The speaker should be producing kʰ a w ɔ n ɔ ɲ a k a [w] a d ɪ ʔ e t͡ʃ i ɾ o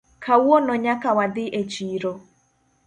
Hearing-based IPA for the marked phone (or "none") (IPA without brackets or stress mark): w